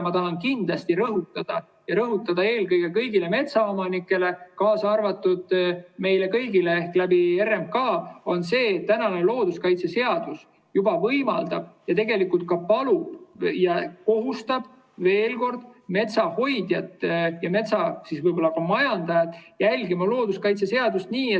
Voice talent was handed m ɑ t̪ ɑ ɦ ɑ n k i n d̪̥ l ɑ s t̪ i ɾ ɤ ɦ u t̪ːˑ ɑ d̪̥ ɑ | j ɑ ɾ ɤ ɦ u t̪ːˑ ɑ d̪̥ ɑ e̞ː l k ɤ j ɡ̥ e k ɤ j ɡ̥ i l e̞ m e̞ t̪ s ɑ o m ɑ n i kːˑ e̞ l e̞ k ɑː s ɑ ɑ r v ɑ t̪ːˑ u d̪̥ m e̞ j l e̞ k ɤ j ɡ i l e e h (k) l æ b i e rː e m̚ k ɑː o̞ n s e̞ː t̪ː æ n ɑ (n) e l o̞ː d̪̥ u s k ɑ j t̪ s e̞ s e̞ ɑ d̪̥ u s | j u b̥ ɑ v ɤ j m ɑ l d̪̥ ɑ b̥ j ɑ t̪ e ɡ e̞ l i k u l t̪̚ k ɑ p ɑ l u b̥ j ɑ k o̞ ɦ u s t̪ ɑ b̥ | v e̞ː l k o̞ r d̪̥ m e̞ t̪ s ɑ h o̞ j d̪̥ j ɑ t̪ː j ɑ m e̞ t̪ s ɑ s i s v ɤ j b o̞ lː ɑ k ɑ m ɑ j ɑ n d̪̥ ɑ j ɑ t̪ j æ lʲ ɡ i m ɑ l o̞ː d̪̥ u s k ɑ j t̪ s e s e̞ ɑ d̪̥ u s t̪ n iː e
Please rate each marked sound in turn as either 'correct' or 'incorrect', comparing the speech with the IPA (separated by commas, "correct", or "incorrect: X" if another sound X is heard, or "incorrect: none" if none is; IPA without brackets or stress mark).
correct, correct